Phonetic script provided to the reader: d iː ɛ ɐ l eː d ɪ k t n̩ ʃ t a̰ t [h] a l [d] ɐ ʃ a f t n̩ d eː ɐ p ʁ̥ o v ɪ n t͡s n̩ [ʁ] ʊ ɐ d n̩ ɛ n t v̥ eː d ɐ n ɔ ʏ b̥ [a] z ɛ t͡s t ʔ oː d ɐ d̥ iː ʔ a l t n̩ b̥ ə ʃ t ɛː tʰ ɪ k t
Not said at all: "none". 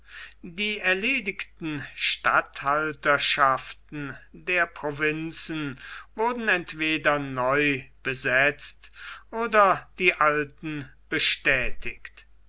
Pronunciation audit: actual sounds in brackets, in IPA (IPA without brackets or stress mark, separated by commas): h, t, v, ə